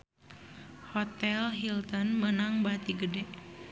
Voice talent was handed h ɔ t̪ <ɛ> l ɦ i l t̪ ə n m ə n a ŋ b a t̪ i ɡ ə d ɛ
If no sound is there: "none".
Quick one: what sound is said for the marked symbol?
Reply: ɛ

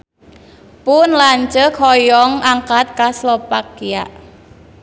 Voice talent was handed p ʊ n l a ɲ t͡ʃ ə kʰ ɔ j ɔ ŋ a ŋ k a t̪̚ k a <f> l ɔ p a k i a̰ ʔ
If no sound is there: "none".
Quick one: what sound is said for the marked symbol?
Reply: s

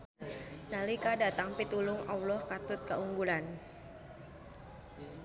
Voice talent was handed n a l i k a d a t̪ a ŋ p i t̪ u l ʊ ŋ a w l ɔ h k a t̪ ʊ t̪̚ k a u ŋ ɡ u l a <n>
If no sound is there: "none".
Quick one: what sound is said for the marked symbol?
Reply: n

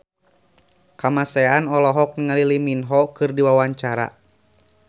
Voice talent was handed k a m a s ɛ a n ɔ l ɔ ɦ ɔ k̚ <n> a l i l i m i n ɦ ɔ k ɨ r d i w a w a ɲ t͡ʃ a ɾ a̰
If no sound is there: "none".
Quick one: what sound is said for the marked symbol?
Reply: ŋ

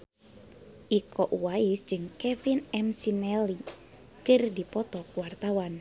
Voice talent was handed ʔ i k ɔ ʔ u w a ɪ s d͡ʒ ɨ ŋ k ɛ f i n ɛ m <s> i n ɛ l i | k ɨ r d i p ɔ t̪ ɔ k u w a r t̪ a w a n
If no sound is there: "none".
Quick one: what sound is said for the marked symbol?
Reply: s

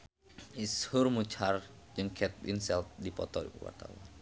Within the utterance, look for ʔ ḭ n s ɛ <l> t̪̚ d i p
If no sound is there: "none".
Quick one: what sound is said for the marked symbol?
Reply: l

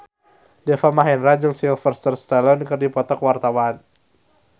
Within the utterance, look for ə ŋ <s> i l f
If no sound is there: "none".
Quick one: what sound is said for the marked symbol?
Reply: s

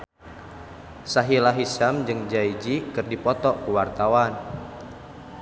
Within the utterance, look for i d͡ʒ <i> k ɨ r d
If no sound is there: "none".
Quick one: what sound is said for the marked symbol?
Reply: i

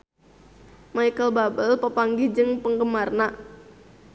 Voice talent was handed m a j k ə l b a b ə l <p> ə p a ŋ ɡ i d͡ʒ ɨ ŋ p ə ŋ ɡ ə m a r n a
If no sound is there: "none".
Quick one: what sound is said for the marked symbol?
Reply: p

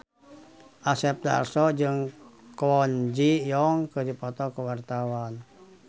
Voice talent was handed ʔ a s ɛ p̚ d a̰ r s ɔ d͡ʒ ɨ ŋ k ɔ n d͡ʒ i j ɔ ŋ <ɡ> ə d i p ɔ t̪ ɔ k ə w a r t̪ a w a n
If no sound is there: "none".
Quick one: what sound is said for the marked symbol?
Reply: k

